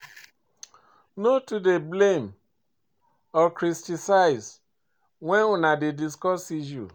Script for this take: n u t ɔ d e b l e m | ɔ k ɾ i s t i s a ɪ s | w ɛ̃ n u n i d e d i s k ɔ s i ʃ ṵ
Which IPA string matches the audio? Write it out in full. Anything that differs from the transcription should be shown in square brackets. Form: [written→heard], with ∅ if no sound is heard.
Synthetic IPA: n [u→o] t [ɔ→u] d e b l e m | ɔ k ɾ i s t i s a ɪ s | w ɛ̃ n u n [i→a] d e d i s k ɔ s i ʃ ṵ